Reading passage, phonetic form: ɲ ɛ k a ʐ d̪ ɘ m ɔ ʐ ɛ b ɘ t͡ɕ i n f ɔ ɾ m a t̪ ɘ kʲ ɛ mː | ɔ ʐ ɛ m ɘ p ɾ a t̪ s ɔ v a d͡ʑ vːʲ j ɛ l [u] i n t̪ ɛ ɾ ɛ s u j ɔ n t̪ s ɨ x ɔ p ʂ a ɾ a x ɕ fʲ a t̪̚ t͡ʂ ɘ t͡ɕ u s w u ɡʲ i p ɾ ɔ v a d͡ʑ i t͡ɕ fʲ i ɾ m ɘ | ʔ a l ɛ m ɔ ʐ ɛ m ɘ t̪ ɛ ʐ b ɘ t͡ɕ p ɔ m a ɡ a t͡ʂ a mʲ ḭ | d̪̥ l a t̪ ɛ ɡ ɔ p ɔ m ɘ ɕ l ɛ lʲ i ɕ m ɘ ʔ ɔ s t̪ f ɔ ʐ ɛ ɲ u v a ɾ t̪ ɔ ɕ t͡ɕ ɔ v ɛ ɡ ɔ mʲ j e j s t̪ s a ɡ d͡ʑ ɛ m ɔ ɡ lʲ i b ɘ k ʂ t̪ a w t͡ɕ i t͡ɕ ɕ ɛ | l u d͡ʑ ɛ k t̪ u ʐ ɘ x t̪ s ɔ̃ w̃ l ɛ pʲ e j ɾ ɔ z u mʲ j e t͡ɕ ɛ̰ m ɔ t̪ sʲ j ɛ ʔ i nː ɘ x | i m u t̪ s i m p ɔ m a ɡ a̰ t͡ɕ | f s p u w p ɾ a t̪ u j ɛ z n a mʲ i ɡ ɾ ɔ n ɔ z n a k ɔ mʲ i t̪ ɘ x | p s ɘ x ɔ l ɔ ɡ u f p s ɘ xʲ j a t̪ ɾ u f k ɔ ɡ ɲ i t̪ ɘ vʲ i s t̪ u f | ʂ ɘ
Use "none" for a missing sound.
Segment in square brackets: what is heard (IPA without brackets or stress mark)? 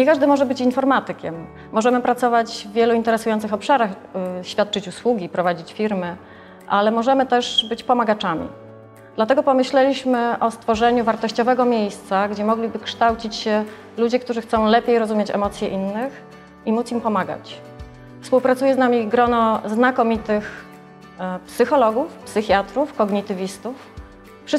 u